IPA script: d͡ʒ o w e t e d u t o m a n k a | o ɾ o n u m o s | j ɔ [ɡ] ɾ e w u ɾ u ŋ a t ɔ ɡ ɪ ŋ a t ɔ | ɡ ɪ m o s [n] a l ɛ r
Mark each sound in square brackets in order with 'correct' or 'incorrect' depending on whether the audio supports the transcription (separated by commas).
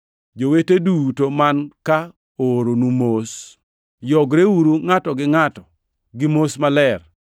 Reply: correct, incorrect